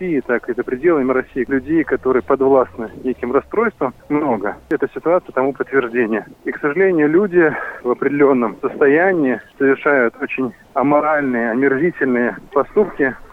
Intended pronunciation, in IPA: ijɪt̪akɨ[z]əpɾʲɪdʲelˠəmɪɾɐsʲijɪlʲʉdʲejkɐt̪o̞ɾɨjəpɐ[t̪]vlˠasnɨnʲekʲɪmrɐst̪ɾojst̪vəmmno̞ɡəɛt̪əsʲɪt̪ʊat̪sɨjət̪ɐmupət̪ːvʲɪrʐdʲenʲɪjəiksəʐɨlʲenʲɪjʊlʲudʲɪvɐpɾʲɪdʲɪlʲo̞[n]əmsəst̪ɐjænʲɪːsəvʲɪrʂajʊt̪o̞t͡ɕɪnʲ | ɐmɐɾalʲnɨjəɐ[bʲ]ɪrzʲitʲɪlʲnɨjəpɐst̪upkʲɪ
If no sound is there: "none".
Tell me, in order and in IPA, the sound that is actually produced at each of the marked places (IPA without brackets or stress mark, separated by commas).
z, d̪, nː, mʲ